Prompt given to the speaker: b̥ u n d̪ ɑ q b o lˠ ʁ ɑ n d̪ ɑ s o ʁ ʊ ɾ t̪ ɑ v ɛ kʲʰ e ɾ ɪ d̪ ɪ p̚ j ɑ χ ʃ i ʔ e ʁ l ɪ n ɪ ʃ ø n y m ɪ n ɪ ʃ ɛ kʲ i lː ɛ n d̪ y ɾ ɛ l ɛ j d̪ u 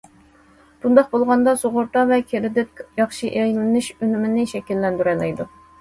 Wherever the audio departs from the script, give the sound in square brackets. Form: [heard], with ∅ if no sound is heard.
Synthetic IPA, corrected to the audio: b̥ u n d̪ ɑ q b o lˠ ʁ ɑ n d̪ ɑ s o ʁ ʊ ɾ t̪ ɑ v ɛ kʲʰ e ɾ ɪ d̪ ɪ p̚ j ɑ χ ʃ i ʔ e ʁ l ɪ n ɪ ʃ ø n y m ɪ n ɪ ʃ ɛ kʲ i lː ɛ n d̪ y ɾ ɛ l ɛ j d̪ u